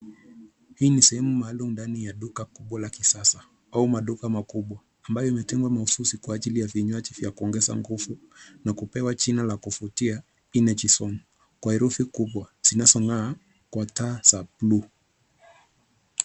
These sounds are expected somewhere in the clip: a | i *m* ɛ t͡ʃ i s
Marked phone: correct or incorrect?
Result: incorrect